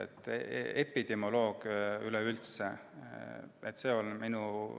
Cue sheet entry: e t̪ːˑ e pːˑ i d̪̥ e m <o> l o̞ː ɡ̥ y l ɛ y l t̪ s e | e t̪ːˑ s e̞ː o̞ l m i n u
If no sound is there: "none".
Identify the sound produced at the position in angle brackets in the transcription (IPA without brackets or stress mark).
o